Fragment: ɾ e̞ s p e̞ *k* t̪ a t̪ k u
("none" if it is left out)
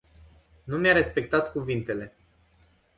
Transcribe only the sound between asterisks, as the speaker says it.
k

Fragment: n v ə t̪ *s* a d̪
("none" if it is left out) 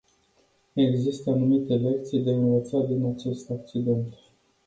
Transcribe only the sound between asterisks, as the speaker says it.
s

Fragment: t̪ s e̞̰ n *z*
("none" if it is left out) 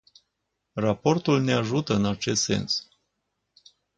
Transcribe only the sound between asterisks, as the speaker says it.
s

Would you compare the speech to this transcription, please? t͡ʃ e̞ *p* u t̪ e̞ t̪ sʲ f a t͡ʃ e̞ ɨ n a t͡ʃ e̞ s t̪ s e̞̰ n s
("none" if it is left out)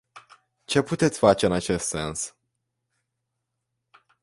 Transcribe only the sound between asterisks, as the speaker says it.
p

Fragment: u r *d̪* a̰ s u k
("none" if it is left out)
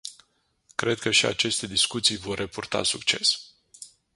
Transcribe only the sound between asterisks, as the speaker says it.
t̪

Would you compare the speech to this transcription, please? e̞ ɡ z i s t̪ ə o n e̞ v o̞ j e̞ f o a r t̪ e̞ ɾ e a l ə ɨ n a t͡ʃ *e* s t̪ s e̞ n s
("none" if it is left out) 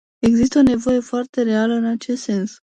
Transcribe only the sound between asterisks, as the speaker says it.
e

